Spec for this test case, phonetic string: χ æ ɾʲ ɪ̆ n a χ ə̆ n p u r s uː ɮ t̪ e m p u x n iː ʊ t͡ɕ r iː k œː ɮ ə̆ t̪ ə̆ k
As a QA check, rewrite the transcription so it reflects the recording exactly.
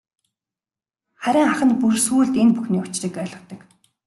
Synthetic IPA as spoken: χ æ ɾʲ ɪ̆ ŋ a χ ə̆ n p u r s uː ɮ t̪ e n p u x n iː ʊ t͡ɕ r iː k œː ɮ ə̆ t̪ ə̆ k